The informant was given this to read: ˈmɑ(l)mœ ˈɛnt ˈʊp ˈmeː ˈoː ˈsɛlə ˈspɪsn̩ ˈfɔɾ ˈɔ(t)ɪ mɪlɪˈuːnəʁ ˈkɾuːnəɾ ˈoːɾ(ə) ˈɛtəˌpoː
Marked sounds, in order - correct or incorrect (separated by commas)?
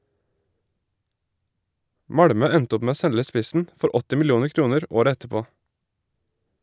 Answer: incorrect, correct, correct